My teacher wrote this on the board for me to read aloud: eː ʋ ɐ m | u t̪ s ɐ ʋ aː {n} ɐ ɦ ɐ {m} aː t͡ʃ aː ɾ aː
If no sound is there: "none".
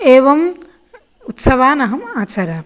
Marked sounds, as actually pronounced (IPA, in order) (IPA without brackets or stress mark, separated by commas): n, m